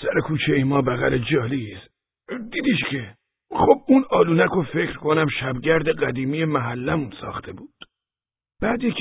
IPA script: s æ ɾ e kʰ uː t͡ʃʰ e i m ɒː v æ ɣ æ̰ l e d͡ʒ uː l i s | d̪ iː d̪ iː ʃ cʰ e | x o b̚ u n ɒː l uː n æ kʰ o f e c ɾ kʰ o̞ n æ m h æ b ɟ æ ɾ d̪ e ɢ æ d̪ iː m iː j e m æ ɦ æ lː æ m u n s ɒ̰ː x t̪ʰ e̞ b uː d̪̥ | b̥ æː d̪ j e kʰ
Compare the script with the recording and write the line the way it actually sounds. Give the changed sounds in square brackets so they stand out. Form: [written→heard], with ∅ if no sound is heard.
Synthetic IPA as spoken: s æ ɾ e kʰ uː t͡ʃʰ e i m ɒː [v→b] æ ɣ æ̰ l e d͡ʒ [uː→ɒː] l i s | d̪ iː d̪ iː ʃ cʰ e | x o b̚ u n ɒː l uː n æ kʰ o f e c ɾ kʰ o̞ n æ m [h→ʃ] æ b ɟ æ ɾ d̪ e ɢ æ d̪ iː m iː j e m æ ɦ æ lː æ m u n s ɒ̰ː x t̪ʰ e̞ b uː d̪̥ | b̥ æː d̪ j e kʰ